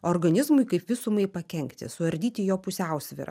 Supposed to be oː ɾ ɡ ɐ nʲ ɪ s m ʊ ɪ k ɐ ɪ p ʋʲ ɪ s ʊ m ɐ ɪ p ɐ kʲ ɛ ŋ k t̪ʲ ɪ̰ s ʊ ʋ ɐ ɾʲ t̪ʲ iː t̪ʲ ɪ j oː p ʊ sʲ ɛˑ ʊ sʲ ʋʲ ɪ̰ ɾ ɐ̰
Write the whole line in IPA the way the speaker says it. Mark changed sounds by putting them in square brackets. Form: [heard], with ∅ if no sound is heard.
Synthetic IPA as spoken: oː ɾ ɡ ɐ nʲ ɪ [z] m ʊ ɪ k ɐ ɪ p ʋʲ ɪ s ʊ m ɐ ɪ p ɐ kʲ ɛ ŋ k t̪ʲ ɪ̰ s ʊ ʋ ɐ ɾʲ [d̪ʲ] iː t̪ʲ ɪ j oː p ʊ sʲ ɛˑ ʊ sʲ ʋʲ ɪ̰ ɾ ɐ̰